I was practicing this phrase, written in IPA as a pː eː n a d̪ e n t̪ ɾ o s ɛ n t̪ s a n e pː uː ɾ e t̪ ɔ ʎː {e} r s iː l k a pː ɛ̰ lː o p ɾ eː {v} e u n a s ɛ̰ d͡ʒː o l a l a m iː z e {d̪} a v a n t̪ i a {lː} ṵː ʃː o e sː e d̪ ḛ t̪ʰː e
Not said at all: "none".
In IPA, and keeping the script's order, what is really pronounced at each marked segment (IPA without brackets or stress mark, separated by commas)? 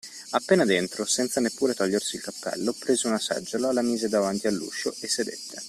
e, z, d̪, lː